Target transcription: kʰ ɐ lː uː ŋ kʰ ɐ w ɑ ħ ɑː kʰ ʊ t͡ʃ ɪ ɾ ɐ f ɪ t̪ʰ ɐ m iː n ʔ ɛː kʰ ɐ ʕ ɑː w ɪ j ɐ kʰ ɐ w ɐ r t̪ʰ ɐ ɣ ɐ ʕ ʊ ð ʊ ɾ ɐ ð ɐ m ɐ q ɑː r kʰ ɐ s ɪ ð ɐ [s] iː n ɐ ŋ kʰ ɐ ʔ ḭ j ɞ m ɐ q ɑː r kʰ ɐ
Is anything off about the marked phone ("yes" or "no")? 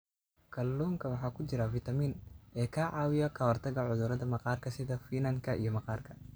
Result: yes